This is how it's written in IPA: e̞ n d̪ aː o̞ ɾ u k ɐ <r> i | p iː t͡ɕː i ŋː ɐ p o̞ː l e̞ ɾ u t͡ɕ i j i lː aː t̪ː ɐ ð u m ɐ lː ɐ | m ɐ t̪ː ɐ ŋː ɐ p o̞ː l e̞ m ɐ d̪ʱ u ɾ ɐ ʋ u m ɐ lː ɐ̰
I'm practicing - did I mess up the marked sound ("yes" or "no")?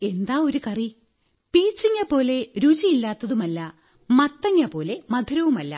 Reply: no